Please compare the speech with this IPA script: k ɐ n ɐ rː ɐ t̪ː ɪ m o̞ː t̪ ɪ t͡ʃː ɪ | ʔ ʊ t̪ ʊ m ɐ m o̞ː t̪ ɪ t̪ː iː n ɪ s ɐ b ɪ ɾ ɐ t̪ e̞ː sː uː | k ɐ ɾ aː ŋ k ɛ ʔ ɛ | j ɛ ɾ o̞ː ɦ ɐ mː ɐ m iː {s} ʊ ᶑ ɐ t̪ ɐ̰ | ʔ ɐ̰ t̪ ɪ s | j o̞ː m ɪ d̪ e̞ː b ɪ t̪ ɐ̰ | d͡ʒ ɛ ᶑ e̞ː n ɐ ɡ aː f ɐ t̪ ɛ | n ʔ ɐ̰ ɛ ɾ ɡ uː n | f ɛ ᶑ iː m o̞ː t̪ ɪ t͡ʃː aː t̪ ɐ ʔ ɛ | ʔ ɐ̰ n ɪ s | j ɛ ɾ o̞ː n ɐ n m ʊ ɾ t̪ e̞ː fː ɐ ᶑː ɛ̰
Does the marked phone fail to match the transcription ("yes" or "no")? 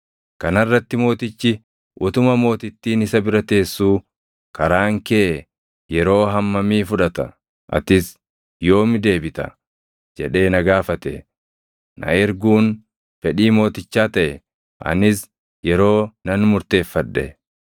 yes